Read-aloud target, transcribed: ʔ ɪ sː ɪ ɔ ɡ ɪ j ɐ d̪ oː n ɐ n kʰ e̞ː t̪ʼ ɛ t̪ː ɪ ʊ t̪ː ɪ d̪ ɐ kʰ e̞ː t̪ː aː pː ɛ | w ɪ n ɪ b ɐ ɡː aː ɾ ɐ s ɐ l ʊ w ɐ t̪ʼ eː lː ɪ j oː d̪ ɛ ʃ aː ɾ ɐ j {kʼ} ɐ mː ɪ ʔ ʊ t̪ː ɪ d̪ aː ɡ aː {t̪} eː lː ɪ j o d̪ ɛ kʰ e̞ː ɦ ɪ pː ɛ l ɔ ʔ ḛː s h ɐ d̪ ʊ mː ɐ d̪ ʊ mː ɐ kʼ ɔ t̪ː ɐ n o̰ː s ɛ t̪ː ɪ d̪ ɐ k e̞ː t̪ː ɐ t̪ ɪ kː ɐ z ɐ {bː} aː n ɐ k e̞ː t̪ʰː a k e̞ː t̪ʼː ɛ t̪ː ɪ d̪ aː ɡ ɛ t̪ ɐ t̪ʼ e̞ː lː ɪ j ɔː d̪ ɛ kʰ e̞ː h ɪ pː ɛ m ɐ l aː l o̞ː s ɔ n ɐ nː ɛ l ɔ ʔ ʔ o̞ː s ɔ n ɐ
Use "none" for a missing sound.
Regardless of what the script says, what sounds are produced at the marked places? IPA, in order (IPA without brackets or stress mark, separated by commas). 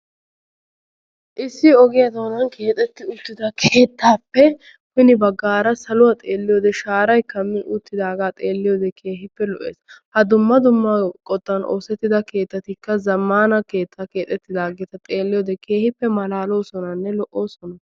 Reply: k, t̪ʼ, mː